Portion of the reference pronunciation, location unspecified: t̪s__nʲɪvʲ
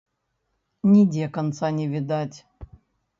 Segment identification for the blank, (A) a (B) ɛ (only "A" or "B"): A